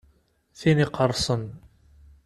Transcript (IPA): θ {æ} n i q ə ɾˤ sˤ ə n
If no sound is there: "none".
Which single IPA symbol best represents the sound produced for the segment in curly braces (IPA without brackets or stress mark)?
i